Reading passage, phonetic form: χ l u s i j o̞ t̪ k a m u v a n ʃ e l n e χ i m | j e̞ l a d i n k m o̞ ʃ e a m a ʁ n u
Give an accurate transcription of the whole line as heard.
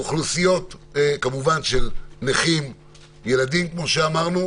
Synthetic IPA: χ l u s i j o̞ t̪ k a m u v a n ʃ e l n e χ i m | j e̞ l a d i m k m o̞ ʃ e a m a ʁ n u